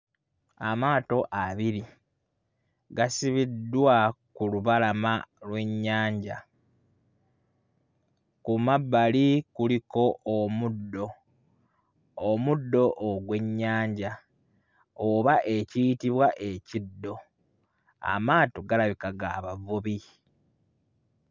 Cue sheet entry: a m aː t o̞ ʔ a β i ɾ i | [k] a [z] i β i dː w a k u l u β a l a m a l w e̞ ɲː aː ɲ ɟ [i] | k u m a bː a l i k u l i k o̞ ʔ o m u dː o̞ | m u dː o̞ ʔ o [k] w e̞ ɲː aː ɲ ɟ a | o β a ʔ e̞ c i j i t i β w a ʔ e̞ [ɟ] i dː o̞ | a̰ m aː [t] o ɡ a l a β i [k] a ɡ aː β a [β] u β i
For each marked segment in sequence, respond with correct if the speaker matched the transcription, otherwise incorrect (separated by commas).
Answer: incorrect, incorrect, incorrect, incorrect, incorrect, correct, correct, incorrect